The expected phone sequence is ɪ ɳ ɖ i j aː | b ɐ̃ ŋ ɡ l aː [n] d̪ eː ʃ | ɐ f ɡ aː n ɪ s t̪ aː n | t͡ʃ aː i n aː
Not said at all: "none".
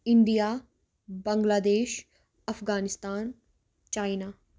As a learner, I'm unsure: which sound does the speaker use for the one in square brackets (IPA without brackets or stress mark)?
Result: none